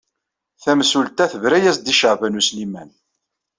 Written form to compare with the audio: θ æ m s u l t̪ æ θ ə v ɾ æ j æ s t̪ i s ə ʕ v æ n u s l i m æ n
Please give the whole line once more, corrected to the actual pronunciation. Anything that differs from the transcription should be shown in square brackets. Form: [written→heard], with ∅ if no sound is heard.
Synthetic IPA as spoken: θ æ m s u l t̪ æ θ ə v ɾ æ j æ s [t̪→d̪] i [s→ʃ] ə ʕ v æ n u s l i m æ n